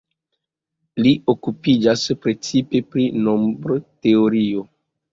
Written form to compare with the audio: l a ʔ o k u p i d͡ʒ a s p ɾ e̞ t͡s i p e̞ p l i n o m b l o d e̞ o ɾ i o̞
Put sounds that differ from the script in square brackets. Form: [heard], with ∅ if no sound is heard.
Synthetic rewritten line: l [i] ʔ o k u p i d͡ʒ a s p ɾ e̞ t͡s i p e̞ p [ɾ] i n o m b [ɾ] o [t] e̞ o ɾ i o̞